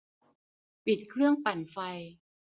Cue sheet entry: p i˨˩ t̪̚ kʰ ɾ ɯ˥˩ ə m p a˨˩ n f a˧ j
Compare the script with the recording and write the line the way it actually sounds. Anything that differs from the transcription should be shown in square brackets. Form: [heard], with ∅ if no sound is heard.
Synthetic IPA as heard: p i˨˩ t̪̚ kʰ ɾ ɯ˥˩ ə [ŋ] p a˨˩ n f a˧ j